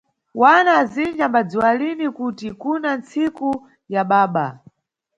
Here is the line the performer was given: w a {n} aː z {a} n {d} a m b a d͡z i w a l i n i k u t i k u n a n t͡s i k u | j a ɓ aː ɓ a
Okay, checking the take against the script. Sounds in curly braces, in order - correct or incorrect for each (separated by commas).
correct, incorrect, incorrect